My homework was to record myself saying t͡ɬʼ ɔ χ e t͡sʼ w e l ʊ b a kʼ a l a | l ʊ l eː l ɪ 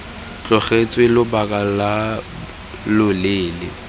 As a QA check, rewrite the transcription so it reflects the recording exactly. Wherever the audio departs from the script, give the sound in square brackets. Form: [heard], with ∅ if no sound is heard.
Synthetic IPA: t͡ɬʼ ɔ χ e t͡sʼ w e l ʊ b a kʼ a l a | l ʊ l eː l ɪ